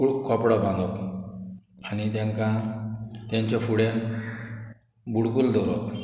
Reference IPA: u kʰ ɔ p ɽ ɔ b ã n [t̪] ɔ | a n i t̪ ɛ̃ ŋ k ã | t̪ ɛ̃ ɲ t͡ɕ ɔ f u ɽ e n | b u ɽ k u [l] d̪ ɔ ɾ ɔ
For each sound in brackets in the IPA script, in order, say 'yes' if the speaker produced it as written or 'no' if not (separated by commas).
no, yes